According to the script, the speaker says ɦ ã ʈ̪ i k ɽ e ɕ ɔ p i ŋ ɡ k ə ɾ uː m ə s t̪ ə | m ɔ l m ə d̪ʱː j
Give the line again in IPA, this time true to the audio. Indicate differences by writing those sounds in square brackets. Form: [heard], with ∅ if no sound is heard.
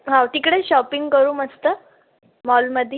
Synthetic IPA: ɦ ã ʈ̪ i k ɽ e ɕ ɔ p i ŋ ɡ k ə ɾ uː m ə s t̪ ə | m ɔ l m ə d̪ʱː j